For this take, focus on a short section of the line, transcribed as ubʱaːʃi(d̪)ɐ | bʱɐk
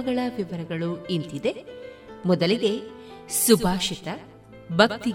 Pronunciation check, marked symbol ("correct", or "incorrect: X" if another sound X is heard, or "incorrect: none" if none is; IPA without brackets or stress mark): incorrect: t̪